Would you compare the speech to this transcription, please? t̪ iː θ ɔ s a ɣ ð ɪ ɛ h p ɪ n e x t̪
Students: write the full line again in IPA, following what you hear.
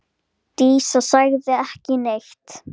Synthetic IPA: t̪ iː s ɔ s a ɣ ð ɪ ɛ h c ɪ n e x t̪